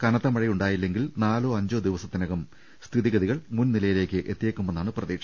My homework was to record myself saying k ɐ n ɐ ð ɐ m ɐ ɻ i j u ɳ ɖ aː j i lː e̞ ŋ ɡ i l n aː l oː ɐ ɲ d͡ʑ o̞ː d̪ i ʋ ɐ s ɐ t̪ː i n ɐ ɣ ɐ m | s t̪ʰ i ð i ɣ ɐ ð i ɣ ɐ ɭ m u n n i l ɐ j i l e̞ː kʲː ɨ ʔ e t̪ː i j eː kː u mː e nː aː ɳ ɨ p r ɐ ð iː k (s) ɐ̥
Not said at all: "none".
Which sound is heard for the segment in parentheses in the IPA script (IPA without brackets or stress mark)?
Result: ʂ